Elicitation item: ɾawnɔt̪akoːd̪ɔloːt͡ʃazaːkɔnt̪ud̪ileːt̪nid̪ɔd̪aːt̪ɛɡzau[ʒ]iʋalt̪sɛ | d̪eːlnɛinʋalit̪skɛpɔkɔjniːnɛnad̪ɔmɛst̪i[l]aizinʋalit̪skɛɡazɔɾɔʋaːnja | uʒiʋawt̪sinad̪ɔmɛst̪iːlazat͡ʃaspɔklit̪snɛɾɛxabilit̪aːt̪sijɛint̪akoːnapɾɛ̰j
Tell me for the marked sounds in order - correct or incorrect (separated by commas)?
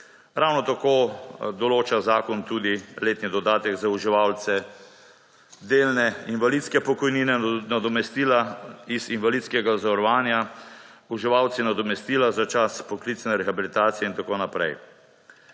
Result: correct, correct